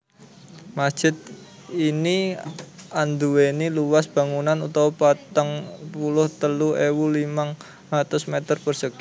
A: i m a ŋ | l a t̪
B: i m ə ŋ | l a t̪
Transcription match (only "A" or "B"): A